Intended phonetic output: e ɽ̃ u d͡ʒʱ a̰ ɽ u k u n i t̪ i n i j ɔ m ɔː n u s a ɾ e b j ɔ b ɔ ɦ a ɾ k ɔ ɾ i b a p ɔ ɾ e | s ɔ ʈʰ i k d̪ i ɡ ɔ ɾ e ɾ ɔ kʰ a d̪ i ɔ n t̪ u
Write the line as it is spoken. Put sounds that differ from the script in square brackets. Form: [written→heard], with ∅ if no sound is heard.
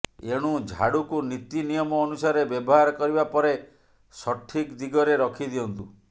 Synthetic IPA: e ɽ̃ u d͡ʒʱ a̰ ɽ u k u n i t̪ i n i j ɔ m ɔː n u s a ɾ e b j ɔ b ɔ ɦ a ɾ k ɔ ɾ i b a p ɔ ɾ e | s ɔ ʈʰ i k d̪ i ɡ ɔ ɾ e ɾ ɔ kʰ [a→i] d̪ i ɔ n t̪ u